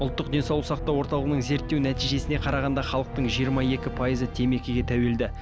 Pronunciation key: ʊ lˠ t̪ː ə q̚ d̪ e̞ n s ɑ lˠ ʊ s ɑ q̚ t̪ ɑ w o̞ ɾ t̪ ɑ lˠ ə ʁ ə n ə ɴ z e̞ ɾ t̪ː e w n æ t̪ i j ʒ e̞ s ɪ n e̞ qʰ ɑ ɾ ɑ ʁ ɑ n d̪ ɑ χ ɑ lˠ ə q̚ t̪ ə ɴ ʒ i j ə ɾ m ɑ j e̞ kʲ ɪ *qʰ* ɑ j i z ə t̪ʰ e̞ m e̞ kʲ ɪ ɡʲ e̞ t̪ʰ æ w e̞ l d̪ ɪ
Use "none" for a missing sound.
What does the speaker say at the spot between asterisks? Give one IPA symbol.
pʰ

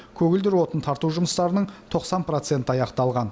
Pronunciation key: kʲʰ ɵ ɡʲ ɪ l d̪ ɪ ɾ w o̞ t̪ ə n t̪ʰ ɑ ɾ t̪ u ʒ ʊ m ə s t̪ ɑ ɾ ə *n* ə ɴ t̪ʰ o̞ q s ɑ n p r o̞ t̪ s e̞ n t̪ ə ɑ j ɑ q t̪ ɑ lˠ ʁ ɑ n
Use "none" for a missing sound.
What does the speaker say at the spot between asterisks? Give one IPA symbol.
n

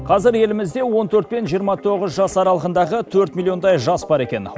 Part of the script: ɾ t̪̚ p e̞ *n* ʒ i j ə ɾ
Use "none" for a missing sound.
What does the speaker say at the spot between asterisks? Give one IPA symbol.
n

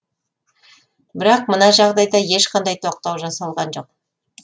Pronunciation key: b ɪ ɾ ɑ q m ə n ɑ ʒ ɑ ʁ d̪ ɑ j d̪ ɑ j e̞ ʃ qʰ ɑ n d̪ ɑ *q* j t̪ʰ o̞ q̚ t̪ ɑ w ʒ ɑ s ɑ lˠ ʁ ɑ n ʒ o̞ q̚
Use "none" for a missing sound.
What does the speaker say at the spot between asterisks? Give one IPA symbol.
none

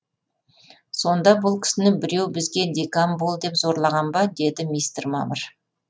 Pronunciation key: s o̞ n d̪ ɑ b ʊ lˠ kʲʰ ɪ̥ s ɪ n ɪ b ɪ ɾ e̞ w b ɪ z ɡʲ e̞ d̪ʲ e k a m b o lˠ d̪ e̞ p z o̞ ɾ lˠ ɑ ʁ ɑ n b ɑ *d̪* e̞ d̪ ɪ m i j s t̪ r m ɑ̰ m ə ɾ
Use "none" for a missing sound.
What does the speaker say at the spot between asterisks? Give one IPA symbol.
d̪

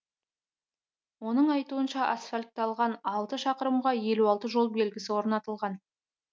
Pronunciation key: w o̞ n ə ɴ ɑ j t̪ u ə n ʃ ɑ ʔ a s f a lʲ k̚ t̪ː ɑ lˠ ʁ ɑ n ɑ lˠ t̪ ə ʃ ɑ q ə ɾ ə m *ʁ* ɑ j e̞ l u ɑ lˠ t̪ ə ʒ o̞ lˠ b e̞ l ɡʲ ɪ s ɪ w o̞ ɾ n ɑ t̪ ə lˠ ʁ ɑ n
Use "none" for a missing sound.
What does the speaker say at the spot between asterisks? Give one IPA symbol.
ʁ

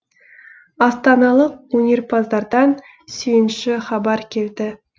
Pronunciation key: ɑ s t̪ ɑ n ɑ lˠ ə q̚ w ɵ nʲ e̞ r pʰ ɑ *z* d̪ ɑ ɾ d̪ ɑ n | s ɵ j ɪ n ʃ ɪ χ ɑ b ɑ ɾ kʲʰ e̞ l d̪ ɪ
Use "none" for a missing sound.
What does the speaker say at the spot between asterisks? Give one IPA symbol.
z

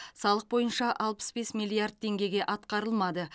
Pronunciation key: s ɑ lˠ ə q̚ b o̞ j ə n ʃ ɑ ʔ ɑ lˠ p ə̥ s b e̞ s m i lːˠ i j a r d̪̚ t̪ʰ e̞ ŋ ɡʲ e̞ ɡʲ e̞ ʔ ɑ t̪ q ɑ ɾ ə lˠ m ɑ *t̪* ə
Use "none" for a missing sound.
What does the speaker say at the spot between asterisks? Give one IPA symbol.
d̪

